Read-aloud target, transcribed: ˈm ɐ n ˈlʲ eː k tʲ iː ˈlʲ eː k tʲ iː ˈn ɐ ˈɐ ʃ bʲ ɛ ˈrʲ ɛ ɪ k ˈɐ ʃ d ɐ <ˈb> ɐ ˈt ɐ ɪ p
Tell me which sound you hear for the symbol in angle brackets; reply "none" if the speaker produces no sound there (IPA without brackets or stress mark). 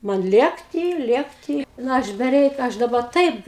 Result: b